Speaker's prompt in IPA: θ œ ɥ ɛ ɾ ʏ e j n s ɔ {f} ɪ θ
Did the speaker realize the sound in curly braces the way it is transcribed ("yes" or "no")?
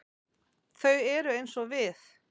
no